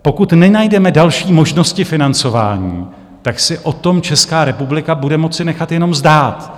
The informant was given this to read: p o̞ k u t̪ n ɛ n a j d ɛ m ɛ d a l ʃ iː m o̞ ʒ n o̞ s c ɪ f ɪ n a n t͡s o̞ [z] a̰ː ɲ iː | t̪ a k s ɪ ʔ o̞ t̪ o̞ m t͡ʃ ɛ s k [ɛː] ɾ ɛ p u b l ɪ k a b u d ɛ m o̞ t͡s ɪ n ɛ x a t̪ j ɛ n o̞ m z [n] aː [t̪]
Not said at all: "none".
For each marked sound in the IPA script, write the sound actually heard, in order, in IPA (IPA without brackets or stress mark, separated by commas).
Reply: v, aː, d, t̪